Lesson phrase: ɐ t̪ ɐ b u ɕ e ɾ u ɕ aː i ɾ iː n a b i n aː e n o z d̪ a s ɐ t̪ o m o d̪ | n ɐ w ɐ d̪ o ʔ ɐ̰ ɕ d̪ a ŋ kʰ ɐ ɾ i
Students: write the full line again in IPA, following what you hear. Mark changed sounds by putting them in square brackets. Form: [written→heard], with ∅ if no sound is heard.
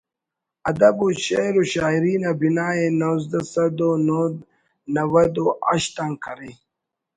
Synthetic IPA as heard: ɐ [t̪→d̪] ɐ b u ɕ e ɾ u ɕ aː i ɾ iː n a b i n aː e n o z d̪ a s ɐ [t̪→d̪] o [m→n] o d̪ | n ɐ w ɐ d̪ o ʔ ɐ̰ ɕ [d̪→t̪] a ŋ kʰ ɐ ɾ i